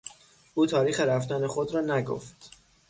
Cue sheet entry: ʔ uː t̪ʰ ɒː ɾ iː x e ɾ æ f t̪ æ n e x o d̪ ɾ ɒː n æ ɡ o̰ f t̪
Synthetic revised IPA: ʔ uː t̪ʰ ɒː ɾ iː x e ɾ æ f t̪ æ n e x o d̪ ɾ ɒː n æ ɡ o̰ f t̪